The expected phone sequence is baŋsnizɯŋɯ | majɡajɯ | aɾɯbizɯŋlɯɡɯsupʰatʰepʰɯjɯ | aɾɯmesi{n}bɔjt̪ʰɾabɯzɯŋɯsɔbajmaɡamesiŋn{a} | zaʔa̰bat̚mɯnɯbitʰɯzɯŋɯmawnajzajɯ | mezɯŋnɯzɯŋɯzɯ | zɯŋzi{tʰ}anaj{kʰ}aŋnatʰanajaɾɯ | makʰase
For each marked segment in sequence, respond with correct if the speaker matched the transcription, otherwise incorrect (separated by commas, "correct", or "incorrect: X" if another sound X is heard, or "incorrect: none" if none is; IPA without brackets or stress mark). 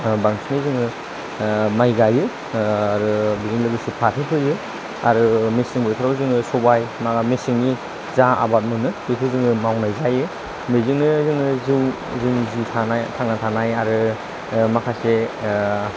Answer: incorrect: ŋ, incorrect: i, correct, incorrect: tʰ